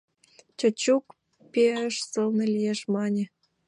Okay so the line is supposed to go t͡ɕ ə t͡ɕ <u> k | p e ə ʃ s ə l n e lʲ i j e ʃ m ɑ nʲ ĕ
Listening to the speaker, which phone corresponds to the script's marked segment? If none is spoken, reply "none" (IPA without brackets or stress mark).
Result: u